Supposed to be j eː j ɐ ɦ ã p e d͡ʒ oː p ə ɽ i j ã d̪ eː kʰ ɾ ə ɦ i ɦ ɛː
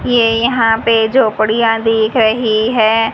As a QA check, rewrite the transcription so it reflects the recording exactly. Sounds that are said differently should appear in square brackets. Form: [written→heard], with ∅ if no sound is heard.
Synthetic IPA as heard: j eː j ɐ ɦ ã p e d͡ʒ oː p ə ɽ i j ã d̪ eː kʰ ɾ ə ɦ i ɦ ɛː